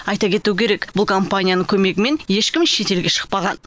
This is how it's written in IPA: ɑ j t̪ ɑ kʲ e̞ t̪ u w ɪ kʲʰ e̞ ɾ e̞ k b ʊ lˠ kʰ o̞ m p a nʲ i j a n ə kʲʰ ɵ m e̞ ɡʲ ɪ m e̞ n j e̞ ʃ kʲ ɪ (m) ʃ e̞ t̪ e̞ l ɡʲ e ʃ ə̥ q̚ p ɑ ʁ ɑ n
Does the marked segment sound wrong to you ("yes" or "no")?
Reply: no